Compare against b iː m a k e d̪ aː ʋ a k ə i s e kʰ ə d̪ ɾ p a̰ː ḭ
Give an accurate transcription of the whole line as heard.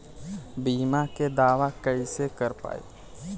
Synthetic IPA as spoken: b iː m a k e d̪ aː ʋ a k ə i s e k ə ɾ p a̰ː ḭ